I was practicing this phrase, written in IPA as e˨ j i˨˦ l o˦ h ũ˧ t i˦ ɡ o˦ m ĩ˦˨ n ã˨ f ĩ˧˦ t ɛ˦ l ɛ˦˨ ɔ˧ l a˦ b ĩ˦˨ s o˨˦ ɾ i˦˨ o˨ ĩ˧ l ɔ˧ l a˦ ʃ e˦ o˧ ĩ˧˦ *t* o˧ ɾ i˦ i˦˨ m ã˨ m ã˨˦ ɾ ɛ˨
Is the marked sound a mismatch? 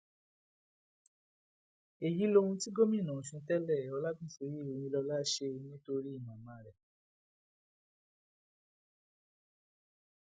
no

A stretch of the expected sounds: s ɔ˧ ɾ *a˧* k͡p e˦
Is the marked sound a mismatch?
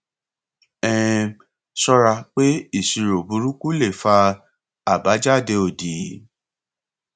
no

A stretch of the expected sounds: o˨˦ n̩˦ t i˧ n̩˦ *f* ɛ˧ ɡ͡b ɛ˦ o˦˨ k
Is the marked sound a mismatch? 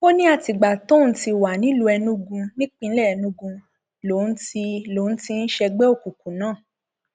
yes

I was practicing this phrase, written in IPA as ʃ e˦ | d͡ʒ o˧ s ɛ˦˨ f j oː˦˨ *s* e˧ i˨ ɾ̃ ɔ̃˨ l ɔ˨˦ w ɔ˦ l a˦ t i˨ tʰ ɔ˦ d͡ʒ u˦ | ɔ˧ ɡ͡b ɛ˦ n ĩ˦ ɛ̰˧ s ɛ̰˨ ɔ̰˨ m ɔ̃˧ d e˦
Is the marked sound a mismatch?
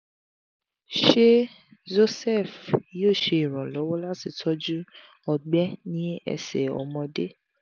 yes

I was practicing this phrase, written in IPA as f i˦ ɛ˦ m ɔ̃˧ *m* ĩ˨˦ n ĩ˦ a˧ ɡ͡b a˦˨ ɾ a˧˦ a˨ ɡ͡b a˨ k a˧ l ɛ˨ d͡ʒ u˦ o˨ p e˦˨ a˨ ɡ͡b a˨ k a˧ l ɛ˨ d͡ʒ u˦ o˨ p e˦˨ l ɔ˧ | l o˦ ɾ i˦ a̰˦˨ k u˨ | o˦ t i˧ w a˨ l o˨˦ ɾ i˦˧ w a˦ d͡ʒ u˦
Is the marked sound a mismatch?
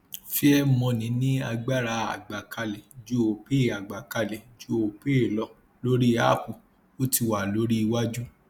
yes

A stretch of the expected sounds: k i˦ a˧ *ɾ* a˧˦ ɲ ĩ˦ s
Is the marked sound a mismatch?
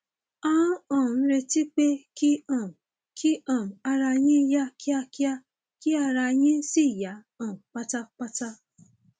no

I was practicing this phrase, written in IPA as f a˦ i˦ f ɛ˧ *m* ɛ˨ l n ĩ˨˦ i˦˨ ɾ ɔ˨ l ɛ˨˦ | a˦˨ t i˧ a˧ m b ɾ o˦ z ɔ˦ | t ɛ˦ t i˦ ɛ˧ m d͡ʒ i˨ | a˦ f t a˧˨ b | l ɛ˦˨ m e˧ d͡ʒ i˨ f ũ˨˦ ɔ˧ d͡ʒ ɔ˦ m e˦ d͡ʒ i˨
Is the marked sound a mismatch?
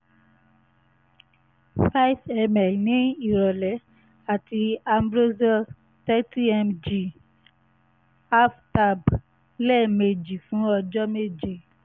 no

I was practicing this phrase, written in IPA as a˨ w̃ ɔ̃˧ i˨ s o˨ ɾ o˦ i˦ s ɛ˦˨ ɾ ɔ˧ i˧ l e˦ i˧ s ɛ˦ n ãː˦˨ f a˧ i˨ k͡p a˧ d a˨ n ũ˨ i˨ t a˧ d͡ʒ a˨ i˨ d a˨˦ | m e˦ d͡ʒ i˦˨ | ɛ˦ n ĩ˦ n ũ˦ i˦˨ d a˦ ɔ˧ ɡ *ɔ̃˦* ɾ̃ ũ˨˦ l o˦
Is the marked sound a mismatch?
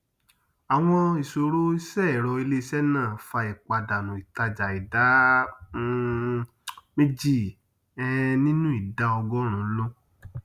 yes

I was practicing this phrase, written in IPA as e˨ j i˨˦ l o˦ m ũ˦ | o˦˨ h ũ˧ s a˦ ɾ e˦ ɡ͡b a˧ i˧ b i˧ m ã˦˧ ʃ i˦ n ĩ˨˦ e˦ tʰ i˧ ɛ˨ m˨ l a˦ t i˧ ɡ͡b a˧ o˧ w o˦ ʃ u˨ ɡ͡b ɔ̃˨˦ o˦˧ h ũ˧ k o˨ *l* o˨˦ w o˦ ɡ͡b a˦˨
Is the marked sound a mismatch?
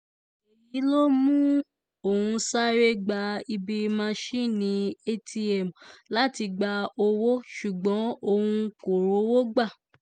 yes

